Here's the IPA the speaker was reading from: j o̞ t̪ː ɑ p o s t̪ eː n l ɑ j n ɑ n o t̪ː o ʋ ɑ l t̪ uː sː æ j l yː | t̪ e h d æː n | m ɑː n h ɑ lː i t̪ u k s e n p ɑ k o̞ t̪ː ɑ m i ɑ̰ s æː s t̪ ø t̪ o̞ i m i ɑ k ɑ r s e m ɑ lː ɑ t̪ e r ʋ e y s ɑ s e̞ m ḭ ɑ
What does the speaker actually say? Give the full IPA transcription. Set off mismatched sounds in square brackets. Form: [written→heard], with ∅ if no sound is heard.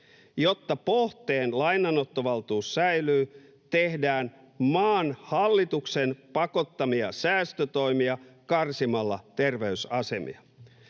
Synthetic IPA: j o̞ t̪ː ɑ p o [s→h] t̪ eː n l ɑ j n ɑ n o t̪ː o ʋ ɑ l t̪ uː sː æ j l yː | t̪ e h d æː n | m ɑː n h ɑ lː i t̪ u k s e n p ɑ k o̞ t̪ː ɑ m i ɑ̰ s æː s t̪ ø t̪ o̞ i m i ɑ k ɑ r s [e→i] m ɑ lː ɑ t̪ e r ʋ e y s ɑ s e̞ m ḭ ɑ